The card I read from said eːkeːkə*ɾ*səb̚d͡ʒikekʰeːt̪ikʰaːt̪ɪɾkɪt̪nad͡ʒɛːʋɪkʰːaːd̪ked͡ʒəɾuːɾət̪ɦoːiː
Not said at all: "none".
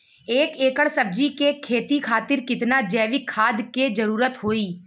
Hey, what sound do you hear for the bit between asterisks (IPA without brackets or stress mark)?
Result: ɽ